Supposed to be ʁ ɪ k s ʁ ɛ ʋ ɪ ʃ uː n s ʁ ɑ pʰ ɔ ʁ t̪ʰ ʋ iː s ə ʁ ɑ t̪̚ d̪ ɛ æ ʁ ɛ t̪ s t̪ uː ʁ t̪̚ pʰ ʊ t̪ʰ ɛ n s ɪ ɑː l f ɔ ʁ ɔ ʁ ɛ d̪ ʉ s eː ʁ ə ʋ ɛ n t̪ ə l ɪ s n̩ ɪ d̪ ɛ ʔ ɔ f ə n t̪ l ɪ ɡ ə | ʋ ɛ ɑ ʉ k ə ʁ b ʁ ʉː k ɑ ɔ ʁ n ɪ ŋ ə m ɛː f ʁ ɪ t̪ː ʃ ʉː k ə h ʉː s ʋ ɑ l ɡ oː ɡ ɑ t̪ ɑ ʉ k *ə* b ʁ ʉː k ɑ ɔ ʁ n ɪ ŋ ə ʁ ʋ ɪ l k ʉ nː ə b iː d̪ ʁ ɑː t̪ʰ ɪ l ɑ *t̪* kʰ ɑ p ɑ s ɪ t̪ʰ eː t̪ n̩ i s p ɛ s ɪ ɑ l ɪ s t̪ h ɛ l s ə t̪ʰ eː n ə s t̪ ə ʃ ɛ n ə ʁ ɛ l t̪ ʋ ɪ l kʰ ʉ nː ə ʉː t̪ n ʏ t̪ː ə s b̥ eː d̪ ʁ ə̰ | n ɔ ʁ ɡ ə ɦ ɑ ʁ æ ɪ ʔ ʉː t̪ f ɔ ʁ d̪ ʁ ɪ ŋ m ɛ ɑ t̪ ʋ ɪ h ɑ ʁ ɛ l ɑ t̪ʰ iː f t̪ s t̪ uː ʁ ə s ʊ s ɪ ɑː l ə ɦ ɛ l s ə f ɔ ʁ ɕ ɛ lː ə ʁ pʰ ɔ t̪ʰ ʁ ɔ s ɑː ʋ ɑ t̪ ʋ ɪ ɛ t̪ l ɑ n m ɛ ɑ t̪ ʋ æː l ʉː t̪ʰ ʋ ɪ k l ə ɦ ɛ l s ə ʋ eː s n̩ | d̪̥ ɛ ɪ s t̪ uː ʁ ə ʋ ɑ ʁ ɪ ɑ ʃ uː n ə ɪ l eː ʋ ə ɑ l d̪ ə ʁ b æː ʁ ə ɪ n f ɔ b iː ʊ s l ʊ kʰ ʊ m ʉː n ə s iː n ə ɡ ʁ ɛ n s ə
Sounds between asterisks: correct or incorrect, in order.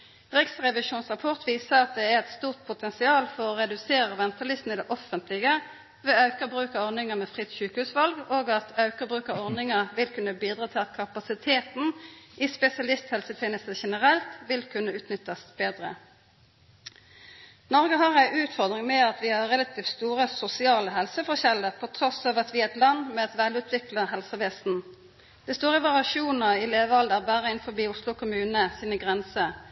correct, correct

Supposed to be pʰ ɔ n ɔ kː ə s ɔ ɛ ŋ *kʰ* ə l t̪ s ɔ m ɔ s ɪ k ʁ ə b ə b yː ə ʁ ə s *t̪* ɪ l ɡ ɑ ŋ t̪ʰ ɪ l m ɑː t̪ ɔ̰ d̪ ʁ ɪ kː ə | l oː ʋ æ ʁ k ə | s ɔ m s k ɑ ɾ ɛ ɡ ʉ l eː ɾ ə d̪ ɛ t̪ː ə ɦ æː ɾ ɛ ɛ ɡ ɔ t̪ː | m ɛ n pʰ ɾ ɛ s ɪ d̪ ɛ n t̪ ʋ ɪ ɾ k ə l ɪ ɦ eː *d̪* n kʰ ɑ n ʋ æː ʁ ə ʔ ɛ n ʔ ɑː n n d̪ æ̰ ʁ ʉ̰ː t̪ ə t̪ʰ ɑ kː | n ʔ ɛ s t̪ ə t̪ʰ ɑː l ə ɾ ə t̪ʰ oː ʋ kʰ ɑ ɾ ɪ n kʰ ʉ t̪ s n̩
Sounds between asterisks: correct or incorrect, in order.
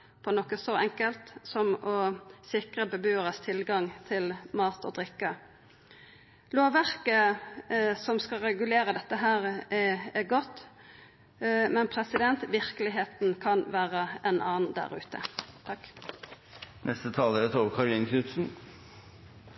incorrect: k, incorrect: t̪ʰ, incorrect: t̪

